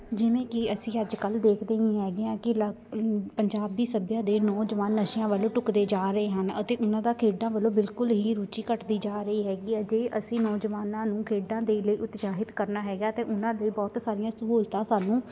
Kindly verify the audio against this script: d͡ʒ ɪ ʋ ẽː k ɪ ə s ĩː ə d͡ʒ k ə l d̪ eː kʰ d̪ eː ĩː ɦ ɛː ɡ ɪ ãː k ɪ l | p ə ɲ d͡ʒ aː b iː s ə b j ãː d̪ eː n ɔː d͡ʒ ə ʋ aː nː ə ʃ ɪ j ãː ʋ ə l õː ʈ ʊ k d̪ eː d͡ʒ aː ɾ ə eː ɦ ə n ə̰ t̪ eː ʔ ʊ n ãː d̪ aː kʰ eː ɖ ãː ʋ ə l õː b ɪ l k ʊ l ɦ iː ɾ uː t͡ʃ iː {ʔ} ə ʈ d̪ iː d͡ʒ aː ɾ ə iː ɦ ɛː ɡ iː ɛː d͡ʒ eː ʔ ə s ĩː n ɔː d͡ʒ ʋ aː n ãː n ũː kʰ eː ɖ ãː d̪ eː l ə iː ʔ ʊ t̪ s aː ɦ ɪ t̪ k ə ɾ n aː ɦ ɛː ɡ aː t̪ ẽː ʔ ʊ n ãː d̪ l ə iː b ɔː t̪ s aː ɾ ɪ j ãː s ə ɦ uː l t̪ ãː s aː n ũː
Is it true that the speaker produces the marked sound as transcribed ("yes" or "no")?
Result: no